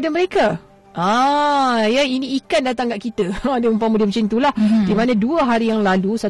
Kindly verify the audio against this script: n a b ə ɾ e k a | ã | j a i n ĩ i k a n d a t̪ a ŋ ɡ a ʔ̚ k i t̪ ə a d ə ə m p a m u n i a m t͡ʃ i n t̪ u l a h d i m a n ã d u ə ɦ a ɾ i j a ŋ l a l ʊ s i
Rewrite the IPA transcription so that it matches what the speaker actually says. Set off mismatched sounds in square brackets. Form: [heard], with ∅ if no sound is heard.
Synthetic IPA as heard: [d] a [m] ə ɾ e k a | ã | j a i n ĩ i k a n d a t̪ a ŋ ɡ a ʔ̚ k i t̪ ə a d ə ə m p a m u [d] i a m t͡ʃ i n t̪ u l a h d i m a n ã d u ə ɦ a ɾ i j a ŋ l a l [u] s [a]